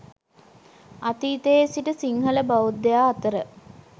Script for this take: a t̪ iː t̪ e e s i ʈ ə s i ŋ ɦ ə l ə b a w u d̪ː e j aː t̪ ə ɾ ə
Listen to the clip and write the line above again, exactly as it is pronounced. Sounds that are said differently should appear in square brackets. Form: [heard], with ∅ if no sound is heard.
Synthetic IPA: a t̪ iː t̪ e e s i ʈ ə s i ŋ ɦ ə l ə b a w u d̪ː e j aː t̪ ə ɾ ə